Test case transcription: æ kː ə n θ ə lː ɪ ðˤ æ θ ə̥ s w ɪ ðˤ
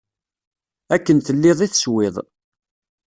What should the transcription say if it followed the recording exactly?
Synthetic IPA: æ kː ə n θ ə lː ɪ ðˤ i θ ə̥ s w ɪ ðˤ

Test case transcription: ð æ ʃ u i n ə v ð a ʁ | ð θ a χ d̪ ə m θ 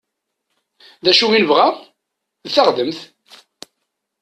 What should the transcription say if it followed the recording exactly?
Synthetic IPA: ð æ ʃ u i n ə v ʁ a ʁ | ð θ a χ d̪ ə m θ

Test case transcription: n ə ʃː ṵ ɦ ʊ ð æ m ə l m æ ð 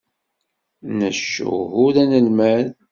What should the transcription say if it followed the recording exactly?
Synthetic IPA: n ə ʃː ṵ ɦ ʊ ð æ n ə l m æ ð

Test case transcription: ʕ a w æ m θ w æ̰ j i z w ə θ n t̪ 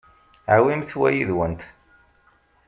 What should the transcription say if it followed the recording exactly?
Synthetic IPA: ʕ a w i m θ w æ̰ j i ð w ə n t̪

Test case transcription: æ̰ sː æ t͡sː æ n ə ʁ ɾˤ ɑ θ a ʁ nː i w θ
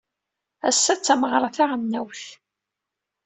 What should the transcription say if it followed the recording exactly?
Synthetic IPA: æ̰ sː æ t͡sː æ m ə ʁ ɾˤ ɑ θ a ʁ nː æ w θ

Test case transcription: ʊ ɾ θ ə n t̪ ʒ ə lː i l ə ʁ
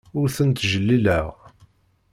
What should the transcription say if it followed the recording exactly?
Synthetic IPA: ʊ ɾ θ ə n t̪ ʒ ə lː i l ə ʁ

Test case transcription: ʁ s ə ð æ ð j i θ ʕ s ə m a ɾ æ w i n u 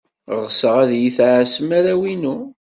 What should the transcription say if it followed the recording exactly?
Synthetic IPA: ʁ s ə ʁ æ ð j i θ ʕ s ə m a ɾ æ w i n u

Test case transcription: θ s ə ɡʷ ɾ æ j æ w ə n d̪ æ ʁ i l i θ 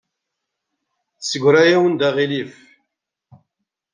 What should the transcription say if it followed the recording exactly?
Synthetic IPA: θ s ə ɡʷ ɾ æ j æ w ə n d̪ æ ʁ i l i f

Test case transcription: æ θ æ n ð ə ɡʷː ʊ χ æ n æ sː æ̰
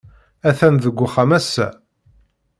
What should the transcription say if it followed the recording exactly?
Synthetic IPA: æ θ æ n ð ə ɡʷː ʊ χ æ m æ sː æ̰

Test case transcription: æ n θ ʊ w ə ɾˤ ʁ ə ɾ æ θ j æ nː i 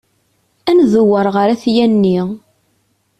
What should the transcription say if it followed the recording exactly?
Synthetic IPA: æ n ð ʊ w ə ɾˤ ʁ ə ɾ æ θ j æ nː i

